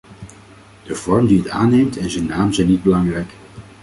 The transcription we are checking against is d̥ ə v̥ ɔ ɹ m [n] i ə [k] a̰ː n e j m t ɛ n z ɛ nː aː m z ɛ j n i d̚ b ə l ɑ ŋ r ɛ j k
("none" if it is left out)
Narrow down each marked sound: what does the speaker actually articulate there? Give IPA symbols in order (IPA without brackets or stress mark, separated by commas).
d, t